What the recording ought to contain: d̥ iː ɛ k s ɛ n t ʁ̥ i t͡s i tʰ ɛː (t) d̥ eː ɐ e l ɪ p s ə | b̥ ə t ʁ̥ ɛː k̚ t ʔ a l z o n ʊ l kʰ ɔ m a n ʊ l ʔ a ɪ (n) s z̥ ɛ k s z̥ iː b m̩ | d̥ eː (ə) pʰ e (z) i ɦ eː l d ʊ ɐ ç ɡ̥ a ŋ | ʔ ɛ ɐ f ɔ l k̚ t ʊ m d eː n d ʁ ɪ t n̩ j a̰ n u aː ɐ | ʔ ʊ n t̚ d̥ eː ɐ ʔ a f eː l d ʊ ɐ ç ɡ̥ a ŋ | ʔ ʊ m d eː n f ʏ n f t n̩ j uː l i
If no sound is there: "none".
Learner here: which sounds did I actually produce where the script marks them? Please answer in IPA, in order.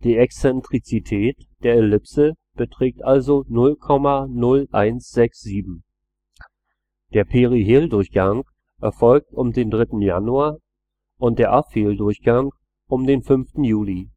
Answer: t, n, ɐ, ʁ

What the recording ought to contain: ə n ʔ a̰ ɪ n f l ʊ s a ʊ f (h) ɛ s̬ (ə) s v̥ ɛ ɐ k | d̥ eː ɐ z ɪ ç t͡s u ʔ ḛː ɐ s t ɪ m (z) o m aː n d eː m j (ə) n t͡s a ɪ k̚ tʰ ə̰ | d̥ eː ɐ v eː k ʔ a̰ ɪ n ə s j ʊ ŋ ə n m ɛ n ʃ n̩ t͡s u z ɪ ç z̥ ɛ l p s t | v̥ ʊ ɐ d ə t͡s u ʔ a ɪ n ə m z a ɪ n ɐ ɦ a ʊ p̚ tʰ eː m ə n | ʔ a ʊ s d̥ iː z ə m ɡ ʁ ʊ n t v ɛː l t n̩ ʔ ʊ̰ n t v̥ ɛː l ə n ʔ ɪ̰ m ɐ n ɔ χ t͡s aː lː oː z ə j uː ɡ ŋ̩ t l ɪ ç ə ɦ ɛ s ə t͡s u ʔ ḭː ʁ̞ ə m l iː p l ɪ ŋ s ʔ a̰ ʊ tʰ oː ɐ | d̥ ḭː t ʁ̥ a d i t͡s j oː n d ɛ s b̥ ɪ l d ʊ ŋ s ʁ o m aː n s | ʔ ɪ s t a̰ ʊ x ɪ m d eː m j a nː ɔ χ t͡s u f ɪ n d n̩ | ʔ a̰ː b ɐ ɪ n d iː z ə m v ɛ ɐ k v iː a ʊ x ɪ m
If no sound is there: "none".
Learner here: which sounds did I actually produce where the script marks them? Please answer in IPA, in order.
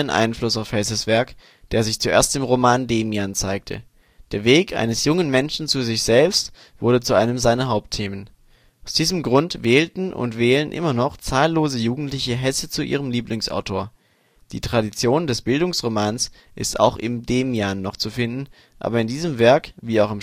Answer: h, ə, ʁ, a

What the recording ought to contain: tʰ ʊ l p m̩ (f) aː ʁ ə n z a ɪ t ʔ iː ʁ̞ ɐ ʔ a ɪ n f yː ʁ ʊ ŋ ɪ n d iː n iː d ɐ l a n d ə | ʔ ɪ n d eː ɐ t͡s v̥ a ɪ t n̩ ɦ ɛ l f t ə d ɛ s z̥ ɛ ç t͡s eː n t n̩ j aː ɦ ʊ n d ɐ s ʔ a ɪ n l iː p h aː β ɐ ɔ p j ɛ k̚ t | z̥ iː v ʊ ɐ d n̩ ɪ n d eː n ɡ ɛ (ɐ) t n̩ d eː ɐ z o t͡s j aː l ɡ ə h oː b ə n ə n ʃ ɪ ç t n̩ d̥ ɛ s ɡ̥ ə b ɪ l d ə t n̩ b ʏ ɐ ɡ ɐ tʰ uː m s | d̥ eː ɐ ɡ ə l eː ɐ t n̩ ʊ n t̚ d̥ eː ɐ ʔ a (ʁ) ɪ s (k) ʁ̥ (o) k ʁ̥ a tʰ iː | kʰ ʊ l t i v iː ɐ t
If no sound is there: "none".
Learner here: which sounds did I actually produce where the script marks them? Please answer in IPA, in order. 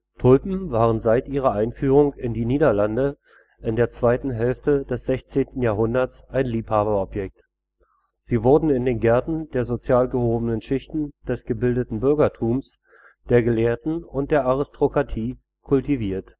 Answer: v, ɐ, ʁ, t, o

